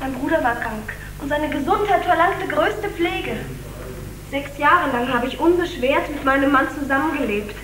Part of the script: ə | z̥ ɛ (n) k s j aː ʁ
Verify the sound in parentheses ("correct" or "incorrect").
incorrect